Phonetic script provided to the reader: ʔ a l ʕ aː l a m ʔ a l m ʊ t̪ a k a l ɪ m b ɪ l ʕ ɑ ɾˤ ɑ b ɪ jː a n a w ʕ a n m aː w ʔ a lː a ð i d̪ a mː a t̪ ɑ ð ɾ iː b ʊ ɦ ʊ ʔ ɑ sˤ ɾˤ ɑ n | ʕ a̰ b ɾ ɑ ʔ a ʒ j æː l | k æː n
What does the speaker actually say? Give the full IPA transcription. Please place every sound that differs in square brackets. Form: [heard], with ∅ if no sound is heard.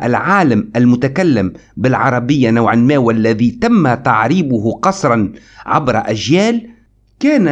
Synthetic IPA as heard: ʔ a l ʕ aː l a m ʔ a l m ʊ t̪ a k a [lː] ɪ m b ɪ l ʕ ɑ ɾˤ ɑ b ɪ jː a n a w ʕ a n m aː w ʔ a lː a ð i [t̪] a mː a t̪ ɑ [ʕ] ɾ iː b ʊ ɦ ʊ [q] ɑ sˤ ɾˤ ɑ n | ʕ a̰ b ɾ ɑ ʔ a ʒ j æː l | k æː n

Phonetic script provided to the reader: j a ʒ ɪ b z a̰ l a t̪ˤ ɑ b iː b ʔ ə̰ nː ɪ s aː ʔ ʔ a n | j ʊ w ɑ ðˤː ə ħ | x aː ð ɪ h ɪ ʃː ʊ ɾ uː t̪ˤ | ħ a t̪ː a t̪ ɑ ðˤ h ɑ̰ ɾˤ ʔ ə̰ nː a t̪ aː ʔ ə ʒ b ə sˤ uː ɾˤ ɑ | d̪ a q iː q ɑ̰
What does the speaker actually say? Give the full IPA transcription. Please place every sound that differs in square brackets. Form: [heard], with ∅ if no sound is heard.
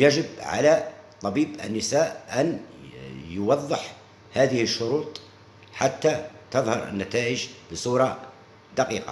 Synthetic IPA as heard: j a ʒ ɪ b [ʕ] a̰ l a t̪ˤ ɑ b iː b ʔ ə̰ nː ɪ s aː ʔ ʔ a n | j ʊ w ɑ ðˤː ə ħ | [h] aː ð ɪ h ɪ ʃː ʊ ɾ uː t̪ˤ | ħ a t̪ː a t̪ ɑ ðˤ h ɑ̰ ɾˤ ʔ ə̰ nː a t̪ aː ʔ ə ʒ b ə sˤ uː ɾˤ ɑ | d̪ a q iː q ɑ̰

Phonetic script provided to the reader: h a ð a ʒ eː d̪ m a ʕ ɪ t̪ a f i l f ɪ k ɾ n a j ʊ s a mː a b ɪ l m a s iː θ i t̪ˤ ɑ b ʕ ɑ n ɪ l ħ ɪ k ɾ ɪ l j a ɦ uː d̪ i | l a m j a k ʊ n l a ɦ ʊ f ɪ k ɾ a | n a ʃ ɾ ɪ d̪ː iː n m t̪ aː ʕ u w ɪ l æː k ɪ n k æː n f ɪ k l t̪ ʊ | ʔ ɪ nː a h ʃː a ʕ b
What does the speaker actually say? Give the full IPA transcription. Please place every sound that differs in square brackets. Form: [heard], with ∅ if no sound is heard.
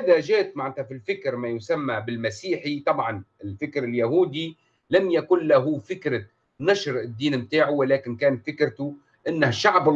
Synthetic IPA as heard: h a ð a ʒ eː [t̪] m a ʕ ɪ t̪ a f i l f ɪ k ɾ [m] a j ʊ s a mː a b ɪ l m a s iː [ħ] i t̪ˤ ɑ b ʕ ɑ n ɪ l [f] ɪ k ɾ ɪ l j a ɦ uː d̪ i | l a m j a k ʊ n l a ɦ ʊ f ɪ k ɾ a | n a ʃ ɾ ɪ d̪ː iː n m t̪ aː ʕ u w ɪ l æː k ɪ n k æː n f ɪ k [ɾ] t̪ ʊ | ʔ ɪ nː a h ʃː a ʕ b

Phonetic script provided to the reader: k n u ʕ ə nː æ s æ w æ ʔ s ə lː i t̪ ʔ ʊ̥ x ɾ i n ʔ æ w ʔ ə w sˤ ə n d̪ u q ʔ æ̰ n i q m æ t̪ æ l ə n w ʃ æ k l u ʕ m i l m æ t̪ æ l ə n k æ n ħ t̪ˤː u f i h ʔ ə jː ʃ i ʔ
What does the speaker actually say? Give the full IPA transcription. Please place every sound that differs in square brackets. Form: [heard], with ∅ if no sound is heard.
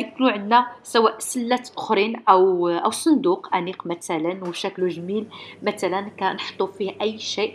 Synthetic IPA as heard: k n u ʕ ə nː æ s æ w æ ʔ s ə lː [æ] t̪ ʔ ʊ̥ x ɾ i n ʔ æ w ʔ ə w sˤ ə n d̪ u q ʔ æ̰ n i q m æ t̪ æ l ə n w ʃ æ k l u [ʒ] m i l m æ t̪ æ l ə n k æ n ħ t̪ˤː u f i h ʔ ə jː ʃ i ʔ

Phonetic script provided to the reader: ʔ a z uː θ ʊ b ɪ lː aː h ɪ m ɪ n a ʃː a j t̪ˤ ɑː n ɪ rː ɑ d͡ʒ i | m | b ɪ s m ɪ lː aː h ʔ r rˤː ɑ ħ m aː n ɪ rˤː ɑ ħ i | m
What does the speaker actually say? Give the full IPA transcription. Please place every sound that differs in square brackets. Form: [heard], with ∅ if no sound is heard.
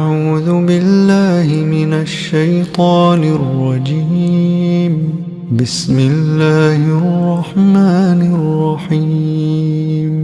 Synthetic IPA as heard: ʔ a [ʕ] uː [ð] ʊ b ɪ lː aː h ɪ m ɪ n a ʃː a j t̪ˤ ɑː n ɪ rː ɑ d͡ʒ i | m | b ɪ s m ɪ lː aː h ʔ r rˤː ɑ ħ m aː n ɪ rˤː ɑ ħ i | m

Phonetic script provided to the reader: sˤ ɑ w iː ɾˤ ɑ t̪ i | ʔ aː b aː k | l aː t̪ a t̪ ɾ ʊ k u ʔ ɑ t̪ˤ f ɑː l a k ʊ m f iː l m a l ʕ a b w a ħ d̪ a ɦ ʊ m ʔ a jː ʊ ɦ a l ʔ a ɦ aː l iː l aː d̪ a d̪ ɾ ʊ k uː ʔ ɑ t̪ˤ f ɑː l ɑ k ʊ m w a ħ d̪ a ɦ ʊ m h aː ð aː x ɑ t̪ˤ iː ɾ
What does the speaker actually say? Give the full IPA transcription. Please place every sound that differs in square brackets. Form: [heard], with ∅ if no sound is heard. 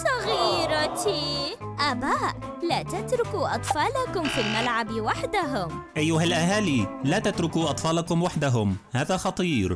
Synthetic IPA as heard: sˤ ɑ [ɣ] iː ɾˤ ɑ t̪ i | ʔ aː b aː [ʔ] | l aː t̪ a t̪ ɾ ʊ k u ʔ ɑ t̪ˤ f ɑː l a k ʊ m f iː l m a l ʕ a b w a ħ d̪ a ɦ ʊ m ʔ a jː ʊ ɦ a l ʔ a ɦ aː l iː l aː [t̪] a [t̪] ɾ ʊ k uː ʔ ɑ t̪ˤ f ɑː l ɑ k ʊ m w a ħ d̪ a ɦ ʊ m h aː ð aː x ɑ t̪ˤ iː ɾ

